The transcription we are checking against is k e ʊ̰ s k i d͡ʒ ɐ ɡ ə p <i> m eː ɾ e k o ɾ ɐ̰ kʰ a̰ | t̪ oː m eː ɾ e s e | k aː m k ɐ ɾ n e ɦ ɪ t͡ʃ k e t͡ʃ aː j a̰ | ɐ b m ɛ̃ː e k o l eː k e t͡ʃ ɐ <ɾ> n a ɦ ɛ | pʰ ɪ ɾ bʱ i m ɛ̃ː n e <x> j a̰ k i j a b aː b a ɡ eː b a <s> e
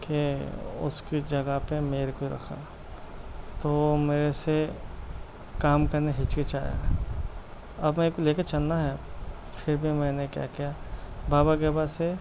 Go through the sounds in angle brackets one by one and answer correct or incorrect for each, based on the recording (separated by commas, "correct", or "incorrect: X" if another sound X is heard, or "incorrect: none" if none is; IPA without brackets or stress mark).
incorrect: e, incorrect: l, incorrect: k, correct